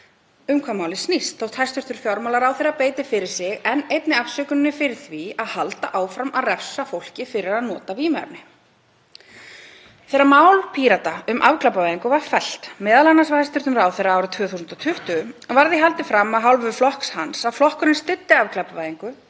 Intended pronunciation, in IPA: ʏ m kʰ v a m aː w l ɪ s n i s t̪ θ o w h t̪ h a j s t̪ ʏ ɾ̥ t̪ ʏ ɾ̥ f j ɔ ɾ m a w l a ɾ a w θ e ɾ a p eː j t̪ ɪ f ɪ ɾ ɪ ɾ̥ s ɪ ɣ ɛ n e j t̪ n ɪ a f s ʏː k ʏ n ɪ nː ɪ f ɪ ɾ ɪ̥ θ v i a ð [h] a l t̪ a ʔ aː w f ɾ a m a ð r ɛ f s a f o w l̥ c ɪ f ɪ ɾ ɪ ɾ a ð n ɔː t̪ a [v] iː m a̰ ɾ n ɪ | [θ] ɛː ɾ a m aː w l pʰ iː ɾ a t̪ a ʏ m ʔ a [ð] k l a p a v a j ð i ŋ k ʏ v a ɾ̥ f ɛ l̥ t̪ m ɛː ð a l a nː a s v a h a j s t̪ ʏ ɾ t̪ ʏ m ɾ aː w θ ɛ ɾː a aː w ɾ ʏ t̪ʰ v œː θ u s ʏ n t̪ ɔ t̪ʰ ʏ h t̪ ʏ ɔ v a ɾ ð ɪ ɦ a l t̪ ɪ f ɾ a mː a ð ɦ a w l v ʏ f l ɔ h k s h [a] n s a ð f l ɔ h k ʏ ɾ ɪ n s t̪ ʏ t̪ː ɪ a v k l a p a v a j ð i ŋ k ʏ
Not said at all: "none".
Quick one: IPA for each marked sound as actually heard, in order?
h, v, θ, v, a

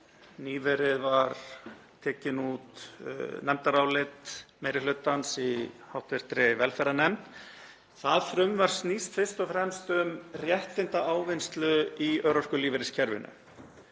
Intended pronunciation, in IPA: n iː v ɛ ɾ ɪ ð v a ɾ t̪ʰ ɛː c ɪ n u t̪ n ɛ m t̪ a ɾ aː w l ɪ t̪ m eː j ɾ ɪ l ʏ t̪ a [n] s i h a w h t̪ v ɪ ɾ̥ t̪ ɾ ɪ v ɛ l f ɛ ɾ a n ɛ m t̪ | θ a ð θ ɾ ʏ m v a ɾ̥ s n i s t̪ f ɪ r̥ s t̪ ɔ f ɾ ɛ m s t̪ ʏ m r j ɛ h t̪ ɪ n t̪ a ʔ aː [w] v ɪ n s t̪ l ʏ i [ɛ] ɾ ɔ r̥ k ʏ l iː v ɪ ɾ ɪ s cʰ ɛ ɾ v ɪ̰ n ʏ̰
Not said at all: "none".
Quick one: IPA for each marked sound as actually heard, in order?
n, w, œ

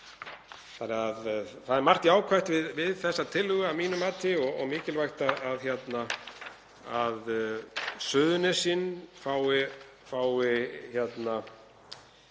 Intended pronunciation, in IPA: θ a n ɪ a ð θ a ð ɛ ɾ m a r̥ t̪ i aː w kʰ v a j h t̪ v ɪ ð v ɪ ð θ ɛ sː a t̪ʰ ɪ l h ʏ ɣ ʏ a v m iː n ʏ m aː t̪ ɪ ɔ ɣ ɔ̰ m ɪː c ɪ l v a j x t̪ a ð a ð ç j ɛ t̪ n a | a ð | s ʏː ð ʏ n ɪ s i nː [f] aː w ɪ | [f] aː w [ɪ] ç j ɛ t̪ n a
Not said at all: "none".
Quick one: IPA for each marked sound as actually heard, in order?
f, f, ɪ

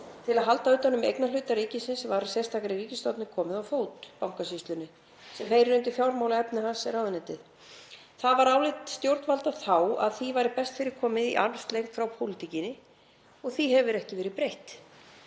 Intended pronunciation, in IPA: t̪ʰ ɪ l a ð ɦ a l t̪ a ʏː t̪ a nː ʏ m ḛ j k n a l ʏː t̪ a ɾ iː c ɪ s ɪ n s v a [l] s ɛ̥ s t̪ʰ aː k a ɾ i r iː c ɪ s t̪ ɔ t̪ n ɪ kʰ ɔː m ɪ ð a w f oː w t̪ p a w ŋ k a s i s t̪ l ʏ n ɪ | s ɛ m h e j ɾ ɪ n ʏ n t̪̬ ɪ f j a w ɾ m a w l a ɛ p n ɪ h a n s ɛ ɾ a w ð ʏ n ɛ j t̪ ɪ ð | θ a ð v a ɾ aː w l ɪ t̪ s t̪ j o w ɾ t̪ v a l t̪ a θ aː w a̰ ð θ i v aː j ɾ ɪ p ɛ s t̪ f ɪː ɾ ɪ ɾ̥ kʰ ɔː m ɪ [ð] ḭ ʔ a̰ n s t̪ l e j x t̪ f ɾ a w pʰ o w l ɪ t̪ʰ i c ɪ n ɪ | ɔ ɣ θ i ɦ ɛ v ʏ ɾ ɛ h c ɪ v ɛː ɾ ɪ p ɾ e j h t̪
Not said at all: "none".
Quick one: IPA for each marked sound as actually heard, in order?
ɾ, ð

